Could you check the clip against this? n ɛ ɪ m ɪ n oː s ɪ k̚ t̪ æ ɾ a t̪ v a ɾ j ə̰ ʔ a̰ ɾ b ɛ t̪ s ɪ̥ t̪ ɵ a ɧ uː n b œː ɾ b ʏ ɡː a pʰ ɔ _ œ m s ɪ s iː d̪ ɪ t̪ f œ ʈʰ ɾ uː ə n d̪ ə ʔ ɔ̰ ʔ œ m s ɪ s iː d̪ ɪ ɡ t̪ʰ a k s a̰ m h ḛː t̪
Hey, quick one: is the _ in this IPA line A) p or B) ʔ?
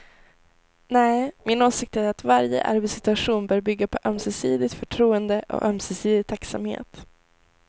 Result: B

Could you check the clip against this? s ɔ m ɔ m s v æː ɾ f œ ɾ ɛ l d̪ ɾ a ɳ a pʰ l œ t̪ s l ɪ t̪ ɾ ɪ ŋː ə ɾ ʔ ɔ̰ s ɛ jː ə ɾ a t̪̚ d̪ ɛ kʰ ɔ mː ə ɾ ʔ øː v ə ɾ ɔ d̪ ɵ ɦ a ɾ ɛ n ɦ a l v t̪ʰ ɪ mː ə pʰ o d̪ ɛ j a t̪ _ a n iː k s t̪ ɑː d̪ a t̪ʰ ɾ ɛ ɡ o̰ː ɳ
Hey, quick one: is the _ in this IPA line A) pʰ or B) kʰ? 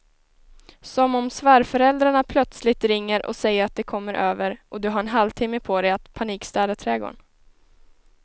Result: A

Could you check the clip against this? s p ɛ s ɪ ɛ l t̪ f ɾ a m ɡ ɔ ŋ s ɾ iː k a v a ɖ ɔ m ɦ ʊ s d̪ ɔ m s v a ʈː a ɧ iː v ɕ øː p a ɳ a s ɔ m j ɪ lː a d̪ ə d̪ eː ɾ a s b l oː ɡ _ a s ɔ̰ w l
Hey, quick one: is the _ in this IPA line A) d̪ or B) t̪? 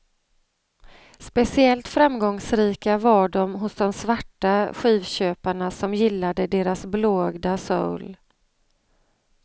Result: A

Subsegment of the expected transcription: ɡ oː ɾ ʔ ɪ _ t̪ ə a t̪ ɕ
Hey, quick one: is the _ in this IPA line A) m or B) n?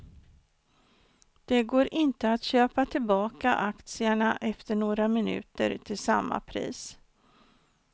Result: B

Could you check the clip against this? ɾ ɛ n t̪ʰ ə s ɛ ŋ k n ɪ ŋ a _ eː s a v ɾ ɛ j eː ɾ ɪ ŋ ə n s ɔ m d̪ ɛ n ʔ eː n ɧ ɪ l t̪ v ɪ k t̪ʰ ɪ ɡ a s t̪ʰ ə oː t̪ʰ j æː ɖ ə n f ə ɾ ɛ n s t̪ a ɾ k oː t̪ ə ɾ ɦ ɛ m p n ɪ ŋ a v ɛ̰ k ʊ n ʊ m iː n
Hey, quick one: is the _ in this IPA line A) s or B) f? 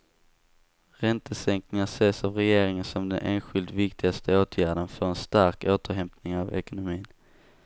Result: A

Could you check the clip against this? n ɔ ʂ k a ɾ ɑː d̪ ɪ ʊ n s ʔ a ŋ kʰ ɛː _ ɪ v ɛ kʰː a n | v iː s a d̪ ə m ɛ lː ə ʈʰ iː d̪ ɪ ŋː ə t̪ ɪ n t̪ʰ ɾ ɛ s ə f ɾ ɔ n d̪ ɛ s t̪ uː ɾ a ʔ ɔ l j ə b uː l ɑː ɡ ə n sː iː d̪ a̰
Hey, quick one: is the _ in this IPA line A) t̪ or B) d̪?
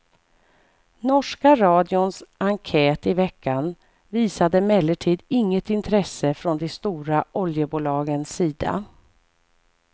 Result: A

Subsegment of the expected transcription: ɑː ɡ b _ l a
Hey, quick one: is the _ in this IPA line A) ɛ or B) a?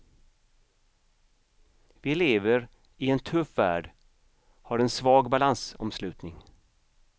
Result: B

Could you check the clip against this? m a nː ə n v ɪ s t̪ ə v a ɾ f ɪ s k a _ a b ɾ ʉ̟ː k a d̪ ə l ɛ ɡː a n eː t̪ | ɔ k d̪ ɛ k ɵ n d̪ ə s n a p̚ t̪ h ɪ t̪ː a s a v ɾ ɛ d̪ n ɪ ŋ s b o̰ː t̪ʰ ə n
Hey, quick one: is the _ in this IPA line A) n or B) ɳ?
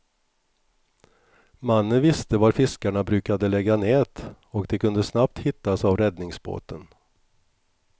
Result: B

